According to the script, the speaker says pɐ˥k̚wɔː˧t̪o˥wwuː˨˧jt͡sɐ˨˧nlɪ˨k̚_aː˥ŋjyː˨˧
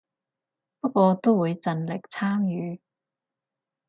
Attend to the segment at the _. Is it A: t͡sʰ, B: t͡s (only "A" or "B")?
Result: A